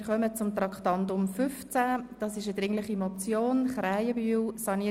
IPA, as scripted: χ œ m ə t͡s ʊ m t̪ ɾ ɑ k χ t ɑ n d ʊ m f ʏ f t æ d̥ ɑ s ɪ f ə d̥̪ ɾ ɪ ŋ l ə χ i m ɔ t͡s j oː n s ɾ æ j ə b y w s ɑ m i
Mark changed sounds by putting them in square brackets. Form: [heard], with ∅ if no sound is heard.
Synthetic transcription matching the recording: χ œ m ə t͡s ʊ m t̪ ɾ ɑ k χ t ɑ n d ʊ m f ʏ f [t͡s] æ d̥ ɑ s ɪ [ʃ] ə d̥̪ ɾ ɪ ŋ l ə χ i m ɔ t͡s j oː n [χ] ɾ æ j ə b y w s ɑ [n] i